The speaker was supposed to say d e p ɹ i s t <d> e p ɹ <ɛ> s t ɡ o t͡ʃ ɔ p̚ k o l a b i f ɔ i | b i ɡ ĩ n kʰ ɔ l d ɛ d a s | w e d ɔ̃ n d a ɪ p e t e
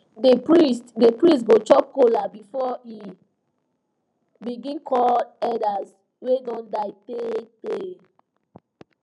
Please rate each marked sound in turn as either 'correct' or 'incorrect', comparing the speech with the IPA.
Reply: correct, incorrect: i

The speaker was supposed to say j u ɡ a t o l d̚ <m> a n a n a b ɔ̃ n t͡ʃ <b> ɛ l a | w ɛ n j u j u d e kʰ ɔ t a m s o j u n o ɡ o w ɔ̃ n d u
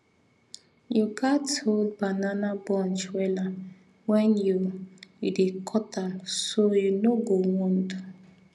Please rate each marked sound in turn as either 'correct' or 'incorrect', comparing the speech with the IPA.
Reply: incorrect: b, incorrect: w

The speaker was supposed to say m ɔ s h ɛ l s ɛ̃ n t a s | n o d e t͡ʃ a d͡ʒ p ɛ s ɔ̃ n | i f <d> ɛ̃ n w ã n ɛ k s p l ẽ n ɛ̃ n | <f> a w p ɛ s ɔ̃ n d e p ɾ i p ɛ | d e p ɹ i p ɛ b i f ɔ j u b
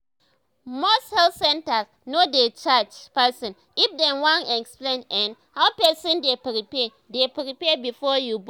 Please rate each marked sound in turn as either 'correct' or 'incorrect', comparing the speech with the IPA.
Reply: correct, incorrect: h

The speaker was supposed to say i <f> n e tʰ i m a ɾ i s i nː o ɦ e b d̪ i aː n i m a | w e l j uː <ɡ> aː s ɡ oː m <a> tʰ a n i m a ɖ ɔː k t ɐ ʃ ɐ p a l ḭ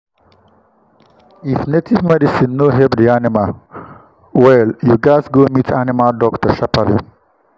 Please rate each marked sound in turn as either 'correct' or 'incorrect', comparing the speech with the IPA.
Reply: correct, correct, incorrect: i

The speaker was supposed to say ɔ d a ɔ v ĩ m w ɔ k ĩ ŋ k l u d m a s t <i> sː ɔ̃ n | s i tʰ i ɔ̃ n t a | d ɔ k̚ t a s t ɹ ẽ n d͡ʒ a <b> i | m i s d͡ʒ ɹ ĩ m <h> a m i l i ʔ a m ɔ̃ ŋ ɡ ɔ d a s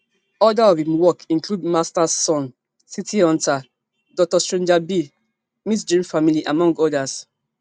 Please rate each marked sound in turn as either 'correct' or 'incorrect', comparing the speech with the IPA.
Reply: incorrect: a, correct, incorrect: f

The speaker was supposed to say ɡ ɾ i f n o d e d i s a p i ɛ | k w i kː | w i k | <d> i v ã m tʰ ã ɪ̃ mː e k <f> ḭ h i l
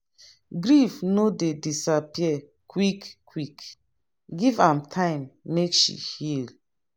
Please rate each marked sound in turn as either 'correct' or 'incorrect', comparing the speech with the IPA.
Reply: incorrect: ɡ, incorrect: ʃ

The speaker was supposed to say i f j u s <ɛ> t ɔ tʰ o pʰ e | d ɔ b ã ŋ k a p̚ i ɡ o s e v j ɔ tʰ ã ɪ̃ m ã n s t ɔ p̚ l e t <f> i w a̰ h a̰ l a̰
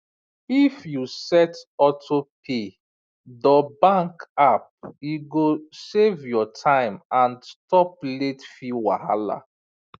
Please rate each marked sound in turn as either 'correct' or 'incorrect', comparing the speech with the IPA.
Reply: correct, correct

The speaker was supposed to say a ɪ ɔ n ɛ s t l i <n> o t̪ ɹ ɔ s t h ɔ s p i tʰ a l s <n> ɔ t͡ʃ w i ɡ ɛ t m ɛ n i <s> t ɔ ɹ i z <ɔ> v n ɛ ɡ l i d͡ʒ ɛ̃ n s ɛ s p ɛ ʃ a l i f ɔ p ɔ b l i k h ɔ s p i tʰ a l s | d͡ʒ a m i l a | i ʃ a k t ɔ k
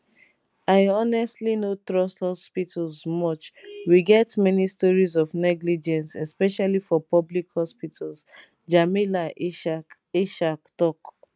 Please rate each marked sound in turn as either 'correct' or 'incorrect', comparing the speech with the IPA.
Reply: correct, incorrect: m, correct, correct

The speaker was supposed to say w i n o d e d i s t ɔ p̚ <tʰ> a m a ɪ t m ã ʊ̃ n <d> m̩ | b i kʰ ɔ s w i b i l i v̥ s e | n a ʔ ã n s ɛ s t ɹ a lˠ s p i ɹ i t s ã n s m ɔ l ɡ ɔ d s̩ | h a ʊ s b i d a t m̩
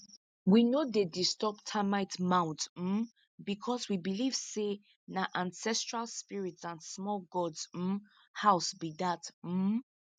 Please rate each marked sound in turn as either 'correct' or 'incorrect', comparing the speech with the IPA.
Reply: correct, incorrect: t

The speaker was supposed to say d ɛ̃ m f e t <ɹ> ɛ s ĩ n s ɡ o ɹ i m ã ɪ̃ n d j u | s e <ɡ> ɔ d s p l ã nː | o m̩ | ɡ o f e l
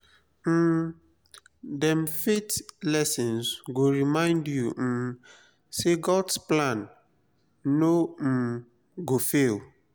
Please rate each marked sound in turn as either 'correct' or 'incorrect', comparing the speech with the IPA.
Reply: incorrect: l, correct

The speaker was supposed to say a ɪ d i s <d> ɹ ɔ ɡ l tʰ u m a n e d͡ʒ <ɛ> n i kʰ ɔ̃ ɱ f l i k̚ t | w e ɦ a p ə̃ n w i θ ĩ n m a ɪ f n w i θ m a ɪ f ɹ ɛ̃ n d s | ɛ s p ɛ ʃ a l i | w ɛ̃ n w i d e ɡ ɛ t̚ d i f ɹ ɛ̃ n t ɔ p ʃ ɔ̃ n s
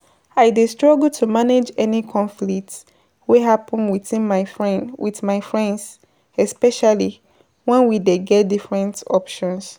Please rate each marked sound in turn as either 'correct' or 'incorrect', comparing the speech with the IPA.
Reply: incorrect: t, correct

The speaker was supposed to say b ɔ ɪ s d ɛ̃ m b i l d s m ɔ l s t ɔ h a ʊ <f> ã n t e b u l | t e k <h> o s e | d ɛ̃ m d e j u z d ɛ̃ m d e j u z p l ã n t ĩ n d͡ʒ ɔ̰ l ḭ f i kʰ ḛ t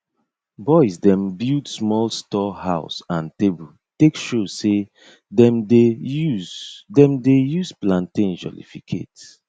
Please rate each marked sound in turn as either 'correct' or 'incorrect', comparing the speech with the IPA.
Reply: incorrect: s, incorrect: ʃ

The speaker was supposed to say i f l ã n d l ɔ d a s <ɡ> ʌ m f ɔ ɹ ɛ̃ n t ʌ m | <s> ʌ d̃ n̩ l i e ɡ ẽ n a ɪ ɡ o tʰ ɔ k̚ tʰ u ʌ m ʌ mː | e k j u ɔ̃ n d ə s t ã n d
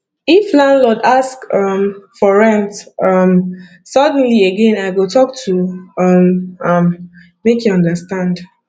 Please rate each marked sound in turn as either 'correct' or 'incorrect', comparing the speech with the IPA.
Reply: incorrect: k, correct

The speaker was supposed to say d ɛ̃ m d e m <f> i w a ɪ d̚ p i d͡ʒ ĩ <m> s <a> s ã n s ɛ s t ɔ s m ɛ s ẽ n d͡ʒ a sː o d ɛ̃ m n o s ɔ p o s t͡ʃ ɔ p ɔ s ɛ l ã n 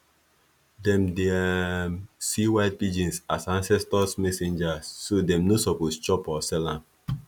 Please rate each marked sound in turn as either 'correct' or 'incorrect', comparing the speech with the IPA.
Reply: incorrect: s, incorrect: n, correct

